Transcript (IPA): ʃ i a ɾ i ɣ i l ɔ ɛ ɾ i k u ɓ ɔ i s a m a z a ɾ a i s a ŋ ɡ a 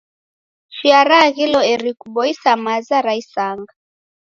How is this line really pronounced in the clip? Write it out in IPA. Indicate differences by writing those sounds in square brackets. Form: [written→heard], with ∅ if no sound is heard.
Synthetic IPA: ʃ i a ɾ [i→a] ɣ i l ɔ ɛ ɾ i k u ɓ ɔ i s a m a z a ɾ a i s a ŋ ɡ a